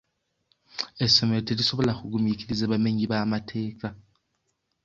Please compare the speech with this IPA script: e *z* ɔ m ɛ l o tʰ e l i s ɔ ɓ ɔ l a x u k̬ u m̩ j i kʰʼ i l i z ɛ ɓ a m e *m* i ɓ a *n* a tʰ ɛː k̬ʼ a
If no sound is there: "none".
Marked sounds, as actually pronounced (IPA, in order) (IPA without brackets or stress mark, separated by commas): s, ɲ, m